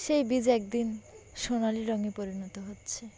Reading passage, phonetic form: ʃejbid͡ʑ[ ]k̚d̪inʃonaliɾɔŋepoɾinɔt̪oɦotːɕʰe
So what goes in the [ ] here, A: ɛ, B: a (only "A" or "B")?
A